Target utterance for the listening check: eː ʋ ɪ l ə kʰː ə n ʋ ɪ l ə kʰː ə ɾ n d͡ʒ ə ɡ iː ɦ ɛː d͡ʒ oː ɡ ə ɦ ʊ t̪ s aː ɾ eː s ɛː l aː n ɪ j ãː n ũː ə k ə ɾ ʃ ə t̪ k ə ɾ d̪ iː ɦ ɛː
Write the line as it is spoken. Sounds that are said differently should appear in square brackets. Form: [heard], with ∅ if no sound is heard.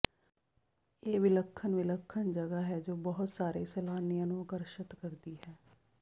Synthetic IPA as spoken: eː ʋ ɪ l ə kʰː ə n ʋ ɪ l ə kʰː ə [∅] n d͡ʒ ə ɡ [aː] ɦ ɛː d͡ʒ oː [b] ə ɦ ʊ t̪ s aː ɾ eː s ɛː l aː n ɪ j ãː n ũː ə k ə ɾ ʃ ə t̪ k ə ɾ d̪ iː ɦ ɛː

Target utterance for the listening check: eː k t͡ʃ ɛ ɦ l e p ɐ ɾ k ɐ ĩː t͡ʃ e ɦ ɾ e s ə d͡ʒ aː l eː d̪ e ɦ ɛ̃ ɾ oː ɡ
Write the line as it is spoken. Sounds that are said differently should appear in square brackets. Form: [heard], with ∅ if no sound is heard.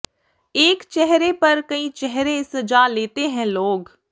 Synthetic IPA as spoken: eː k t͡ʃ ɛ ɦ [ɾ] e p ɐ ɾ k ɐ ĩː t͡ʃ [ɛ] ɦ ɾ e s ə d͡ʒ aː l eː [t̪] e ɦ ɛ̃ [l] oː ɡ

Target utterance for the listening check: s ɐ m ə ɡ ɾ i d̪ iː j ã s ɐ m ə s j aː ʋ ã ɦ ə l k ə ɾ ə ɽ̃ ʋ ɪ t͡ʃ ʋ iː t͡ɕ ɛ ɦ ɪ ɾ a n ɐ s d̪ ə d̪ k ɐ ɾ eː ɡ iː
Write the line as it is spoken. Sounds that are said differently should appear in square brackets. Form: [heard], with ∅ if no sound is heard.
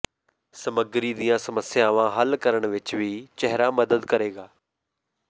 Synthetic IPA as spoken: s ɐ m ə ɡ ɾ i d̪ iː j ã s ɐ m ə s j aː ʋ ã ɦ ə l k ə ɾ ə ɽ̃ ʋ ɪ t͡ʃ ʋ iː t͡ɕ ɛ ɦ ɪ ɾ a [m] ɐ [∅] d̪ ə d̪ k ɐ ɾ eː ɡ [aː]

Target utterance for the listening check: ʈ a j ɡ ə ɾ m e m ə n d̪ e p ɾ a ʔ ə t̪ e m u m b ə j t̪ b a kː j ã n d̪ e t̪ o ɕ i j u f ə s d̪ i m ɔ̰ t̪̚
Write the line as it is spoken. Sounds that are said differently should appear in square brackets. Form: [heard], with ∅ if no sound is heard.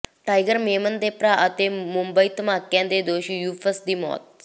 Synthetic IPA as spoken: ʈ a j ɡ ə ɾ m e m ə n d̪ e p ɾ a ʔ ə t̪ e m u m b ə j t̪ [m] a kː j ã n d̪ e [d̪] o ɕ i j u f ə s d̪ i m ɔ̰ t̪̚

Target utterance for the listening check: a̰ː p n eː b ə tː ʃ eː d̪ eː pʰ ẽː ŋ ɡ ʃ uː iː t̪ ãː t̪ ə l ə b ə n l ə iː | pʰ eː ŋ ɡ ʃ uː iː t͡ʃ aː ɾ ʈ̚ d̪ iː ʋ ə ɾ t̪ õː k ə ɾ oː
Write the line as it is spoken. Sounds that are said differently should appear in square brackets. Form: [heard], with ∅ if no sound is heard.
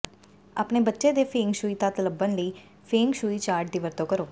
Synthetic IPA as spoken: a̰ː p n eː b ə tː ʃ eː d̪ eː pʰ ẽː ŋ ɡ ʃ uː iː t̪ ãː t̪ ə l ə b ə n l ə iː | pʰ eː ŋ ɡ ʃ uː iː t͡ʃ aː ɾ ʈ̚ d̪ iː ʋ ə ɾ t̪ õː k ə ɾ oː

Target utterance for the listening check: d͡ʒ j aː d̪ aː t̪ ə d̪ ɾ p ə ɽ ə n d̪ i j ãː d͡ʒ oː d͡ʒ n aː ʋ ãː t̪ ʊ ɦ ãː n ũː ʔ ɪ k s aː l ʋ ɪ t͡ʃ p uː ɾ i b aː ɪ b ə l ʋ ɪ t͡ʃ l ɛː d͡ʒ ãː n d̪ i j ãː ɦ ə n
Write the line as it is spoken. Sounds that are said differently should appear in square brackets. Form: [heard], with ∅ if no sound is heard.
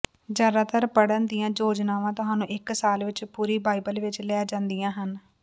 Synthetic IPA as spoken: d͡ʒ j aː d̪ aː t̪ ə [∅] ɾ p ə ɽ ə n d̪ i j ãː d͡ʒ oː d͡ʒ n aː ʋ ãː t̪ ʊ ɦ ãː n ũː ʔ ɪ k s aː l ʋ ɪ t͡ʃ p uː ɾ [iː] b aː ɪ b ə l ʋ ɪ t͡ʃ l ɛː d͡ʒ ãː n d̪ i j ãː ɦ ə n

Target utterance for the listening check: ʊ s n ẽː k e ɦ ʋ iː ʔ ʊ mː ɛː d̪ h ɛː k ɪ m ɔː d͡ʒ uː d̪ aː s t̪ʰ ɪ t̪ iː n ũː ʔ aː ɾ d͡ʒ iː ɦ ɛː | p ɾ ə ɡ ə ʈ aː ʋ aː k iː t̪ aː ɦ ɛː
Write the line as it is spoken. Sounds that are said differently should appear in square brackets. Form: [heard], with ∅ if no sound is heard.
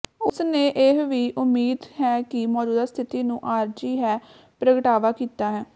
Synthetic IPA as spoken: ʊ s n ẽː [ʔ] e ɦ ʋ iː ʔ ʊ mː [iː] d̪ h ɛː k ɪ m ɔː d͡ʒ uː d̪ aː s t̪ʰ ɪ t̪ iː n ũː ʔ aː ɾ d͡ʒ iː ɦ ɛː | p ɾ ə ɡ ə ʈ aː ʋ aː k iː t̪ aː ɦ ɛː

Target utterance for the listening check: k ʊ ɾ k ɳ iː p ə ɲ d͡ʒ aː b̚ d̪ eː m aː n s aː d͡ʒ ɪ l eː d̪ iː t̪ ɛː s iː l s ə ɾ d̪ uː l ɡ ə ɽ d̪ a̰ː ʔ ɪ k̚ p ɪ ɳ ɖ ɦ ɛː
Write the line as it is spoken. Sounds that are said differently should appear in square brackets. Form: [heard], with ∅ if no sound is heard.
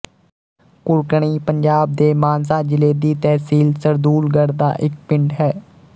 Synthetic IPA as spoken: k ʊ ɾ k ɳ iː p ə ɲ d͡ʒ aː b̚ d̪ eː m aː n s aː d͡ʒ ɪ l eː d̪ iː t̪ ɛː s iː l s ə ɾ d̪ uː l ɡ ə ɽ d̪ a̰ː ʔ ɪ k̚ p ɪ ɳ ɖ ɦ ɛː

